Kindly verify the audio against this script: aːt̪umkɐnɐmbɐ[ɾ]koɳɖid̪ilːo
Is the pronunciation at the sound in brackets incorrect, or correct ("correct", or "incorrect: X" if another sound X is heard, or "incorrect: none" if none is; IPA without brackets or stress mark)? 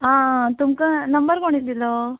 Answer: correct